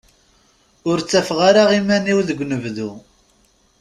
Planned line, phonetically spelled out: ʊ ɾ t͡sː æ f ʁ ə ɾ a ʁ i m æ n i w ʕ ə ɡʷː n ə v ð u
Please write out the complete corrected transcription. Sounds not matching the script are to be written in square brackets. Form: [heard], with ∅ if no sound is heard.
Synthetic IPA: ʊ ɾ t͡sː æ f ʁ [a] ɾ a ʁ i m æ n i w [ð] ə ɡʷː n ə v ð u